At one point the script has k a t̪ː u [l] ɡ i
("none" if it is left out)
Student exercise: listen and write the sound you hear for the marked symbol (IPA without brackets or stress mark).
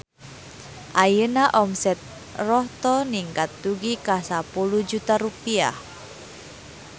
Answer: none